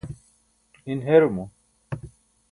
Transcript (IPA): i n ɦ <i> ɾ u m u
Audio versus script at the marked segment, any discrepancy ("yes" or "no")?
yes